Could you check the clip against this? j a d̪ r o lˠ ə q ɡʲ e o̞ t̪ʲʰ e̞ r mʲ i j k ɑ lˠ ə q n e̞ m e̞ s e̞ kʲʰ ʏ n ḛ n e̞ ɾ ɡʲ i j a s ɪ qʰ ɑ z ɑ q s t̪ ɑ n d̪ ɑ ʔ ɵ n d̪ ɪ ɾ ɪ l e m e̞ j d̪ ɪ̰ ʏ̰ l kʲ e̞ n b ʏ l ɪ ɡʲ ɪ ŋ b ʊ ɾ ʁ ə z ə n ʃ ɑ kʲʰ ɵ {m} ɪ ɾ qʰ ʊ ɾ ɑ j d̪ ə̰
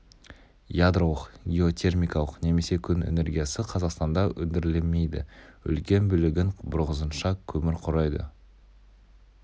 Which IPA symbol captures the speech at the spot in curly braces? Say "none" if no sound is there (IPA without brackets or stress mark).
m